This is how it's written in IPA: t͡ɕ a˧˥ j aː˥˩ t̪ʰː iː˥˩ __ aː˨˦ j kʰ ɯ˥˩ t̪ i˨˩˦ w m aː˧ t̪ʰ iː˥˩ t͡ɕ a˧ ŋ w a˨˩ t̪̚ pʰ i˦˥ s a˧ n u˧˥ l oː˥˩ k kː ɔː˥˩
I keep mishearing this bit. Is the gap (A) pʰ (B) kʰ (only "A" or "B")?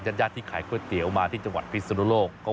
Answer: B